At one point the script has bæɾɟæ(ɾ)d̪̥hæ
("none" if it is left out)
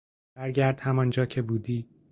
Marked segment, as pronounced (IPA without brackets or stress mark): ɾ